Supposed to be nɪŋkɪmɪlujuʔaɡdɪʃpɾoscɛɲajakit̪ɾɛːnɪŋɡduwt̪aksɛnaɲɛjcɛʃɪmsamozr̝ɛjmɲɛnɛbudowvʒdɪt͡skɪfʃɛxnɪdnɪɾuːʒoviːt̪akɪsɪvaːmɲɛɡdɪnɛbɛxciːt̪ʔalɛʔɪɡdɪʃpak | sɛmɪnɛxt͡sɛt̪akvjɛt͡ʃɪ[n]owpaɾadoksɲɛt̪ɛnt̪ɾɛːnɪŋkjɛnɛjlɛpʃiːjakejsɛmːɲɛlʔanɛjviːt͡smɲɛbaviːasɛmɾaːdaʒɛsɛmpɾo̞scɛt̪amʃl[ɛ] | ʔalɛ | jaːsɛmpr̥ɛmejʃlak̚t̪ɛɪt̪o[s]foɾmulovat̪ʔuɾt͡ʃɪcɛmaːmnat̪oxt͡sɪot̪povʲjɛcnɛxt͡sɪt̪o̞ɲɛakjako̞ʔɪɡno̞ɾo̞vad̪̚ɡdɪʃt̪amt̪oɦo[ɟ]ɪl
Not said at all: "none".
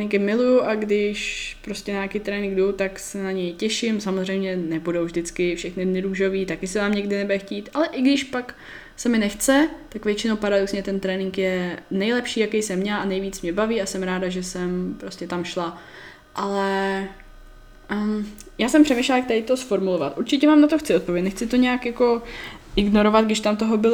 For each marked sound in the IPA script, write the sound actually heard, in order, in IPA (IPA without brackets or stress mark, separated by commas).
n, a, s, b